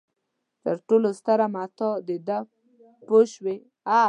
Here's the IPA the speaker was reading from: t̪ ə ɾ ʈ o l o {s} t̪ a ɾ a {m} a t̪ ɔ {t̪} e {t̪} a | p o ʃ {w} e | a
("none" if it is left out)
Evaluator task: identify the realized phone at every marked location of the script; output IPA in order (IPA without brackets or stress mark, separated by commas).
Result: s, m, d̪, d̪, w